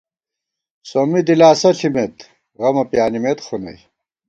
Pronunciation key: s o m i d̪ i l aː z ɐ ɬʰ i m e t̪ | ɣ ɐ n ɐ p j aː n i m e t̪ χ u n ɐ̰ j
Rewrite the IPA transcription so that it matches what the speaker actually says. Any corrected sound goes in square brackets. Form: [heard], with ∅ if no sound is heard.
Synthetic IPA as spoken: s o m i d̪ i l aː [s] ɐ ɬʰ i m e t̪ | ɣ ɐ [m] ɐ p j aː n i m e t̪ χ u n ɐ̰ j

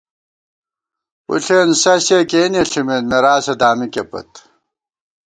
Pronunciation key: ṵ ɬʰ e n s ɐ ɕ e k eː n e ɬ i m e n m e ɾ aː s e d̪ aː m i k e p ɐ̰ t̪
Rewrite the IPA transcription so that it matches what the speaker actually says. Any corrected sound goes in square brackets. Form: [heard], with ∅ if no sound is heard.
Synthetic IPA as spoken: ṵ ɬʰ e n s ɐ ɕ e k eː n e ɬ i m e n m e ɾ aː s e d̪ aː m i k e p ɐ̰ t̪

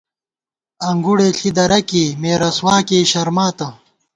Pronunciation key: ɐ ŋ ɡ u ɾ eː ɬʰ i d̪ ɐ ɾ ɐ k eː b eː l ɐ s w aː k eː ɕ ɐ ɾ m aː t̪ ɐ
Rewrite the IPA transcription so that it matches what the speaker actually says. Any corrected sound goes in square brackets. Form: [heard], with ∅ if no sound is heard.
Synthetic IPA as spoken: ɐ ŋ ɡ u [ɽ] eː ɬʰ i d̪ ɐ ɾ ɐ k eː [m] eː [ɾ] ɐ s w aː k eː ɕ ɐ ɾ m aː t̪ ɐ

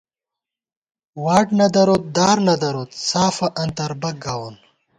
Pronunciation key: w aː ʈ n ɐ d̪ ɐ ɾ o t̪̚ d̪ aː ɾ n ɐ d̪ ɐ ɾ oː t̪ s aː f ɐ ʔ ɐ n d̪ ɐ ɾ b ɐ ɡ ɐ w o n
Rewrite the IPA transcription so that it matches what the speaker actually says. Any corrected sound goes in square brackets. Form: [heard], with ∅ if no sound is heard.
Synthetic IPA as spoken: w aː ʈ n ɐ d̪ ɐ ɾ o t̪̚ d̪ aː ɾ n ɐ d̪ ɐ ɾ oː t̪ s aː f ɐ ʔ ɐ n [t̪] ɐ ɾ b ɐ ɡ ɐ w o n

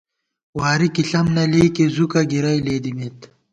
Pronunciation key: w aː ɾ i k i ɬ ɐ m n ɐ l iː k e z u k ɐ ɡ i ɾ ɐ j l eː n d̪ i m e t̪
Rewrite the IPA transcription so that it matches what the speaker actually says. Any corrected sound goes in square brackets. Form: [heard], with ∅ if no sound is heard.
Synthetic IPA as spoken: w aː ɾ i k i ɬ ɐ m n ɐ l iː k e z u k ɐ ɡ i ɾ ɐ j l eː [∅] d̪ i m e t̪

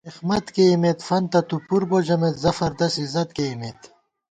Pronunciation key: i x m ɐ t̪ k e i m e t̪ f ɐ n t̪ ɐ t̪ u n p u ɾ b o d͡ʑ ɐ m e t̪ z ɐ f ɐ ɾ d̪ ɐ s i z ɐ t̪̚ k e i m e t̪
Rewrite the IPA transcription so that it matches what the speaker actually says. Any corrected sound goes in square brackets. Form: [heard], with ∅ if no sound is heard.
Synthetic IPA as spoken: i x m ɐ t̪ k e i m e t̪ f ɐ n t̪ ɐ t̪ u [∅] p u ɾ b o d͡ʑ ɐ m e t̪ z ɐ f ɐ ɾ d̪ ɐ s i z ɐ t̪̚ k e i m e t̪

